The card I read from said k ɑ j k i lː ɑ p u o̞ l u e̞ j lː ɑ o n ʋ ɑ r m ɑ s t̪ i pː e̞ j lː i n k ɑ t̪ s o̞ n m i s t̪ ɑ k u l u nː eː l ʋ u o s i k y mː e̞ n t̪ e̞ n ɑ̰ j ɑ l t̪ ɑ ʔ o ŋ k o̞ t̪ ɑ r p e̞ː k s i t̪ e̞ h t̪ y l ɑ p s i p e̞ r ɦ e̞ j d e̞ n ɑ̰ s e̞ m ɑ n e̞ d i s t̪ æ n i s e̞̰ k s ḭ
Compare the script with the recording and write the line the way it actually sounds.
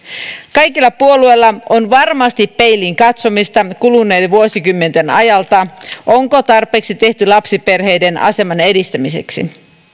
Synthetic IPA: k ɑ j k i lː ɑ p u o̞ l u e̞ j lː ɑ o n ʋ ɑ r m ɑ s t̪ i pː e̞ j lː i ŋ k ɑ t̪ s o̞ m i s t̪ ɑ k u l u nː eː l ʋ u o s i k y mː e̞ n t̪ e̞ n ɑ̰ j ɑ l t̪ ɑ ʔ o ŋ k o̞ t̪ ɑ r p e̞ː k s i t̪ e̞ h t̪ y l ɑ p s i p e̞ r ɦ e̞ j d e̞ n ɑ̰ s e̞ m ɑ n e̞ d i s t̪ æ m i s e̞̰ k s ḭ